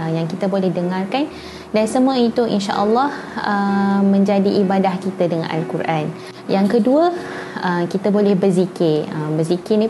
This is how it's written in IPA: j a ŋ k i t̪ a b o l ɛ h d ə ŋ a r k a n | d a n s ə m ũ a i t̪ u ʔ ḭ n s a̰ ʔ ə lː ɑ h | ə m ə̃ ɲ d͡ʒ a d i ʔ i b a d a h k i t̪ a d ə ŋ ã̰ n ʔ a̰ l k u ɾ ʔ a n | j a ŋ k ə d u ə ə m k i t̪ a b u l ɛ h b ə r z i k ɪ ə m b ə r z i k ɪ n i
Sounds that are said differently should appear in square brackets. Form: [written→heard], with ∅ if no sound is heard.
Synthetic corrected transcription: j a ŋ k i t̪ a b o l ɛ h d ə ŋ a r k a n | d a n s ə m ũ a i t̪ u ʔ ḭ n [s→ʃ] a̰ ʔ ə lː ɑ h | ə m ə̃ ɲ d͡ʒ a d i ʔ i b a d a h k i t̪ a d ə ŋ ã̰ n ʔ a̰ l k u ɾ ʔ a n | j a ŋ k ə d u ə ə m k i t̪ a b [u→o] l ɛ h b ə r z i k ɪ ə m b ə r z i k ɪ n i